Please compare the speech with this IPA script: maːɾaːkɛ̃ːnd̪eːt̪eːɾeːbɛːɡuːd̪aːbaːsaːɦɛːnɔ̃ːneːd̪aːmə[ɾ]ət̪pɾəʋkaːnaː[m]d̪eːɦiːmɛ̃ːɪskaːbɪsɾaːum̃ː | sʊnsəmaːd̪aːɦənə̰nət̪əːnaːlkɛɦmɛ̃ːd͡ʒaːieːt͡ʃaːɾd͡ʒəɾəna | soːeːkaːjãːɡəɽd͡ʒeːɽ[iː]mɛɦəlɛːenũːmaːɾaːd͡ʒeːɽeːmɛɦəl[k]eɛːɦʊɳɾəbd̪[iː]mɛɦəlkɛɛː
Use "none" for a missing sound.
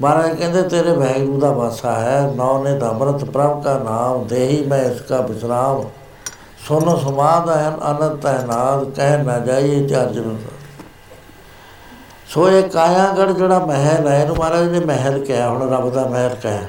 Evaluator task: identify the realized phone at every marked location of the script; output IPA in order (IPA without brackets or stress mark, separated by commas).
ɾ, m, aː, k, aː